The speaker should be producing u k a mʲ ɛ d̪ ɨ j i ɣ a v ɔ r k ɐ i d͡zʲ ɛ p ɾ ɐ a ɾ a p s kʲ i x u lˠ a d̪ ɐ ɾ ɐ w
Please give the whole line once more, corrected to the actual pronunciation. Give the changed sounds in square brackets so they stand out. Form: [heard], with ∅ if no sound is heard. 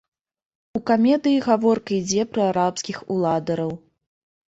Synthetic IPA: u k a mʲ ɛ d̪ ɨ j i ɣ a v ɔ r k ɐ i d͡zʲ ɛ p ɾ ɐ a ɾ a p s kʲ i x u lˠ a d̪ ɐ ɾ ɐ w